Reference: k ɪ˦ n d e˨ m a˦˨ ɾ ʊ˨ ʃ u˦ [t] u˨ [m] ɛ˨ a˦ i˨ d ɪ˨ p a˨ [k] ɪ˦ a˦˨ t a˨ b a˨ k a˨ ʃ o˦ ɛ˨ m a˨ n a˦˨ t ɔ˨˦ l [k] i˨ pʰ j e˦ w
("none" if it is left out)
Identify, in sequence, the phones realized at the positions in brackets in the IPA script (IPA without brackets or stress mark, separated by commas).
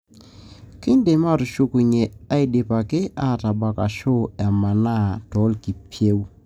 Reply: k, ɲ, k, k